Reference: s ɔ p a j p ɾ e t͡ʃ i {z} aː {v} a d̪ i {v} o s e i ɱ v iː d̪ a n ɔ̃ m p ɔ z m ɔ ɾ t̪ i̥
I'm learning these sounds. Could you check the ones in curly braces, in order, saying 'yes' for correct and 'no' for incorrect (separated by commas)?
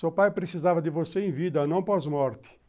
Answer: yes, yes, yes